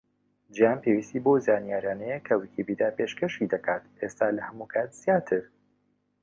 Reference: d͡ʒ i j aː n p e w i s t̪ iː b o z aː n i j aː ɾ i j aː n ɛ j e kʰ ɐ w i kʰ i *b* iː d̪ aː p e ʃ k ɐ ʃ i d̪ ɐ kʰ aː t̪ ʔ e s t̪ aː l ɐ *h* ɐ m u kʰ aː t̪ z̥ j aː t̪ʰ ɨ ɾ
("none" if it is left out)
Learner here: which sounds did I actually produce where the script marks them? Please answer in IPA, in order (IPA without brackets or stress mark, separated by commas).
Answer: b, h